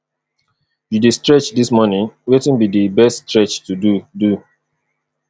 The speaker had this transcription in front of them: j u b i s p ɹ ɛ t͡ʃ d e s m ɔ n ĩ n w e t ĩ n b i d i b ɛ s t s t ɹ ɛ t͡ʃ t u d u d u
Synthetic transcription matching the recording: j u d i s t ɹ ɛ t͡ʃ d i s m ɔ n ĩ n w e t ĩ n b i d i b ɛ s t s t ɹ ɛ t͡ʃ t u d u d u